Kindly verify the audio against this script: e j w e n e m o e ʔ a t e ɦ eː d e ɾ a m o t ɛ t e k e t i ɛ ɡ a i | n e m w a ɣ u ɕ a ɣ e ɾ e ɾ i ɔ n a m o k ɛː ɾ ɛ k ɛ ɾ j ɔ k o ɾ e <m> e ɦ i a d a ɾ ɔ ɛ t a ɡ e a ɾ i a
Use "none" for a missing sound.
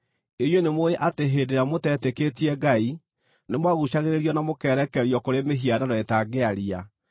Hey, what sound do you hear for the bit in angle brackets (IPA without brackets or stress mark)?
m